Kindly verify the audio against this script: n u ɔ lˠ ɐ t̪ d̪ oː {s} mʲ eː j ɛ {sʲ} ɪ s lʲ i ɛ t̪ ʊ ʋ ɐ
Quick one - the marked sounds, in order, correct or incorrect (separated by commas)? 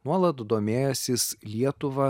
incorrect, correct